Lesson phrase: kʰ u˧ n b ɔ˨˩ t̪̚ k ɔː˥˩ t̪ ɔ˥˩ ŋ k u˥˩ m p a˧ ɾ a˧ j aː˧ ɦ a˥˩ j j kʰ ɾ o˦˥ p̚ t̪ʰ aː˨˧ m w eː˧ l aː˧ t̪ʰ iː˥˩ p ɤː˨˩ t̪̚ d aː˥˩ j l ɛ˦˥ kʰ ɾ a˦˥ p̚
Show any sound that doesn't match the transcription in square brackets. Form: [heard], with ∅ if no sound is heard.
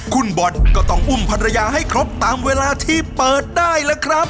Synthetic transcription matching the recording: kʰ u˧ n b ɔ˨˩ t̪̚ k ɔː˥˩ t̪ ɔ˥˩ ŋ [ʔ] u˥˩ m [pʰ] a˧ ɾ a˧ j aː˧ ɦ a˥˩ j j kʰ ɾ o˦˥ p̚ [t̪] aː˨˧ m w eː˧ l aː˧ t̪ʰ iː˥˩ p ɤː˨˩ t̪̚ d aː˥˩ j l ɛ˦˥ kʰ ɾ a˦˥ p̚

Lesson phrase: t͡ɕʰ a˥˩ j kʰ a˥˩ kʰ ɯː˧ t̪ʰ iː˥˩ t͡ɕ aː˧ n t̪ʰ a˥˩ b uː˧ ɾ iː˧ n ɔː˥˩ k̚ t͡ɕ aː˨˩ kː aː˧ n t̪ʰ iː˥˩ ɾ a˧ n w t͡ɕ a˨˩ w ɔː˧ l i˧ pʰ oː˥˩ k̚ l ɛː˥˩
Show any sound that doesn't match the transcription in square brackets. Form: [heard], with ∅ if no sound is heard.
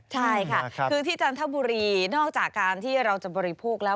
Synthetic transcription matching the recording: t͡ɕʰ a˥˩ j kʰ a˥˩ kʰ ɯː˧ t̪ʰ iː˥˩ t͡ɕ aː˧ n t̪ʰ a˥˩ b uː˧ ɾ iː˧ n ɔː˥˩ k̚ t͡ɕ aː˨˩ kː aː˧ n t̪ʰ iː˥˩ ɾ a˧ [∅] w t͡ɕ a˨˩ [b] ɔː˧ [ɾ] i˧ pʰ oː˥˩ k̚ l [ɛː˦˥]

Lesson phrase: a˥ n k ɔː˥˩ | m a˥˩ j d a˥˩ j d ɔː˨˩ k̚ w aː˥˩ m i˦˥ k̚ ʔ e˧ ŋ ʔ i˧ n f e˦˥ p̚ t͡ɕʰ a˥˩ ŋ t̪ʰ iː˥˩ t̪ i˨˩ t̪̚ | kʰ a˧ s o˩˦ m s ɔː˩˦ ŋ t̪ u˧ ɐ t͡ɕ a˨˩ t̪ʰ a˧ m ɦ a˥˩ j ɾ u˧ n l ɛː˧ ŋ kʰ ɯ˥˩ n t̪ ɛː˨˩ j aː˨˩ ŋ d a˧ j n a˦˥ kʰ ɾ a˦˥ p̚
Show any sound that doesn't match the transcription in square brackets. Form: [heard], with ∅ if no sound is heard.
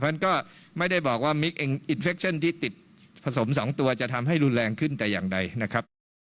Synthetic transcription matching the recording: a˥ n k ɔː˥˩ | m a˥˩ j d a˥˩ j [b] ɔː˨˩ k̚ w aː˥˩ m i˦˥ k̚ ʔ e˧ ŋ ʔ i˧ n f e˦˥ [k̚] t͡ɕʰ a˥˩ [n] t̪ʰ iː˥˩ t̪ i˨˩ t̪̚ | [pʰ] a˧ s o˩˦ m s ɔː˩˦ ŋ t̪ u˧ ɐ t͡ɕ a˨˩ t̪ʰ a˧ m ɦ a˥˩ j ɾ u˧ n l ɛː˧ ŋ kʰ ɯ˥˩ n t̪ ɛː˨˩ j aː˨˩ ŋ d a˧ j n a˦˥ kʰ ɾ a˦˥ p̚

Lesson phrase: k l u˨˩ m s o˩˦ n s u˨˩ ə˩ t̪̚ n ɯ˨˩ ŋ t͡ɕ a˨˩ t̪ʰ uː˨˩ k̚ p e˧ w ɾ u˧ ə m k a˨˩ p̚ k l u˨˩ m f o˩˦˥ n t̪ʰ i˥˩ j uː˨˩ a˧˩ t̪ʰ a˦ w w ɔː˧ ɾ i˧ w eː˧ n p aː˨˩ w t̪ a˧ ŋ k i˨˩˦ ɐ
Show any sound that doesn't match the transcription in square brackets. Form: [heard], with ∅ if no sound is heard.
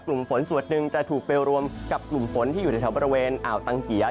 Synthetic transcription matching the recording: k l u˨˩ m [f] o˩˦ n s u˨˩ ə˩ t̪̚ n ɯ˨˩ ŋ t͡ɕ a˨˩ t̪ʰ uː˨˩ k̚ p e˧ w ɾ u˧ ə m k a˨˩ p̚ k l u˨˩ m f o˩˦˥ n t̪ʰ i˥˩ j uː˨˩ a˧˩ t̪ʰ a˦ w [b] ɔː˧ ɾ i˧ w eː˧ n [ʔ] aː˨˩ w t̪ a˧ ŋ k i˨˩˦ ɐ

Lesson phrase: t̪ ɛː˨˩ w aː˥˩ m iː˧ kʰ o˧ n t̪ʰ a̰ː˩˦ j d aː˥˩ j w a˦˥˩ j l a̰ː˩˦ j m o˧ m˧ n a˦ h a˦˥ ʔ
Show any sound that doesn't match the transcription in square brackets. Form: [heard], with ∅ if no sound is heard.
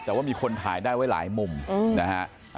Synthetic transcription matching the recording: t̪ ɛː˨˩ w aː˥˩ m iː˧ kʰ o˧ n t̪ʰ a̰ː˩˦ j d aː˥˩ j w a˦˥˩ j l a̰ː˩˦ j m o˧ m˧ n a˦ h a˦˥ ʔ

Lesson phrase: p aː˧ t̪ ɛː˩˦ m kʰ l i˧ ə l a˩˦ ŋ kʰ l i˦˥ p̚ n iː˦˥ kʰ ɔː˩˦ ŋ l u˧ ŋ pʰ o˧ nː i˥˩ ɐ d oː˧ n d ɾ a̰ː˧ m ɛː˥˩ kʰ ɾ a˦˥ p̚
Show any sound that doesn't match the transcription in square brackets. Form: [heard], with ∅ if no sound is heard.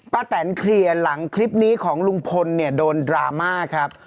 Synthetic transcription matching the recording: p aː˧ t̪ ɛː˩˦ [n] kʰ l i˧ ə l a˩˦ ŋ kʰ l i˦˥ p̚ n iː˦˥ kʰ ɔː˩˦ ŋ l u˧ ŋ pʰ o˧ nː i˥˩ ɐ d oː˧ n d ɾ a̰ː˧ m [aː˥˩] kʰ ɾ a˦˥ p̚

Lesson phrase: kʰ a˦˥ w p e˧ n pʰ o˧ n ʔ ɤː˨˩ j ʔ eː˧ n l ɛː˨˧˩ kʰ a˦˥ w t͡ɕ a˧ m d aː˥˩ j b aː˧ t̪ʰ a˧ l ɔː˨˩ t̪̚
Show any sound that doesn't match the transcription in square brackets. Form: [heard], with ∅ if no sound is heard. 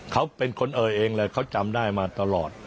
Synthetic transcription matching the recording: kʰ a˦˥ w p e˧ n [kʰ] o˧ n ʔ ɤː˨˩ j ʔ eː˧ [ŋ] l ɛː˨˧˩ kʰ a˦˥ w t͡ɕ a˧ m d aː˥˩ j [m] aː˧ [t̪] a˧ l ɔː˨˩ t̪̚

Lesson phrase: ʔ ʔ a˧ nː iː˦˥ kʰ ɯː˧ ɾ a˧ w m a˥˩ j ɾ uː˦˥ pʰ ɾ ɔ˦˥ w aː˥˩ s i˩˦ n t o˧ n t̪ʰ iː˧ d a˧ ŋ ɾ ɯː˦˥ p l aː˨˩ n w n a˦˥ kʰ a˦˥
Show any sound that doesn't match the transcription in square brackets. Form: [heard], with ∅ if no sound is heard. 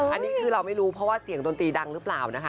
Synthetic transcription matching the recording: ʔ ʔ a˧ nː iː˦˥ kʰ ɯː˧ ɾ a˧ w m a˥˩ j ɾ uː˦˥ pʰ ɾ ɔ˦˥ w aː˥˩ s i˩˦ [ŋ] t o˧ n [t̪] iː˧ d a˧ ŋ ɾ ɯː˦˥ p l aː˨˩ [∅] w n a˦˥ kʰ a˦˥

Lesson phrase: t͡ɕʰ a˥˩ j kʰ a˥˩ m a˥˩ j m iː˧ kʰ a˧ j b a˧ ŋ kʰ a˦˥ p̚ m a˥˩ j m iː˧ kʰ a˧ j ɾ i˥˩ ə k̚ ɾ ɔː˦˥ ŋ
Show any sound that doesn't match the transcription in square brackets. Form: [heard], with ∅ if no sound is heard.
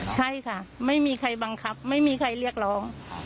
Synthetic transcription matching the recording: t͡ɕʰ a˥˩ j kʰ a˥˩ m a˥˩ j m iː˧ kʰ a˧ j b a˧ ŋ kʰ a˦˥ p̚ m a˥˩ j m iː˧ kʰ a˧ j ɾ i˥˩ ə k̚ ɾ ɔː˦˥ ŋ

